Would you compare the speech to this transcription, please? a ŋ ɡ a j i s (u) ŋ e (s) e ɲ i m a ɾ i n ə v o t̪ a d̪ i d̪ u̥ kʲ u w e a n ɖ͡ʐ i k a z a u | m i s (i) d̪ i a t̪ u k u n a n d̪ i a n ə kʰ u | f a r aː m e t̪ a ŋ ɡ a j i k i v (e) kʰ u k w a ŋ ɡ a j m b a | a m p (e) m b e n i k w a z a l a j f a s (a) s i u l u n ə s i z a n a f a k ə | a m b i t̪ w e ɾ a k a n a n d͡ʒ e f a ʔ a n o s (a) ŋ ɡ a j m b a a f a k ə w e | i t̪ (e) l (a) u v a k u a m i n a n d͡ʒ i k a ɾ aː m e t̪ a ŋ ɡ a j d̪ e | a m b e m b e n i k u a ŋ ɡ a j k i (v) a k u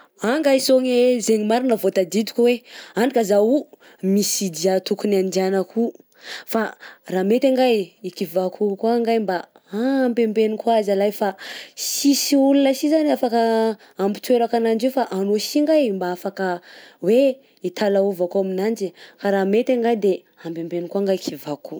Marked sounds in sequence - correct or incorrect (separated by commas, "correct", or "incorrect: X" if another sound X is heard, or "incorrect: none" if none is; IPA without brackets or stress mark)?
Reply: incorrect: o, incorrect: z, correct, incorrect: a, correct, incorrect: i, incorrect: i, incorrect: a, correct, correct